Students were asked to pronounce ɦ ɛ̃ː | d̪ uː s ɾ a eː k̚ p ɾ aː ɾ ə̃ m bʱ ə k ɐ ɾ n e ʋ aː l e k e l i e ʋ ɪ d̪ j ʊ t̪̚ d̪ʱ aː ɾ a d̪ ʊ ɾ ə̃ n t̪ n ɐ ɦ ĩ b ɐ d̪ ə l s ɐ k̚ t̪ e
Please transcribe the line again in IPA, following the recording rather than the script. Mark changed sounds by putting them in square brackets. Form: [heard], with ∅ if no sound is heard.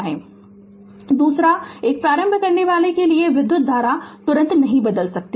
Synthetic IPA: ɦ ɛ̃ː | d̪ uː s ɾ a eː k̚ p ɾ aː ɾ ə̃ m bʱ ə k ɐ ɾ n e ʋ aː l e k e l i e ʋ ɪ d̪ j ʊ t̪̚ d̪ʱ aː ɾ a [t̪] ʊ ɾ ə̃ n t̪ n ɐ ɦ ĩ b ɐ d̪ ə l s ɐ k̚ t̪ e